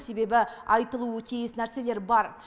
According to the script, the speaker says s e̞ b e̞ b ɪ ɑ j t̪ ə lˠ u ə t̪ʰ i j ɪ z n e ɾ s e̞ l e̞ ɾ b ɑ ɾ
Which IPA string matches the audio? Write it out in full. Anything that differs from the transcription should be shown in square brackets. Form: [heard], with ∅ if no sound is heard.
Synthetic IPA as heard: s e̞ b e̞ b ɪ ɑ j t̪ ə lˠ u ə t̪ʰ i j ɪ [s] n [æ] ɾ s e̞ l e̞ ɾ b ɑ ɾ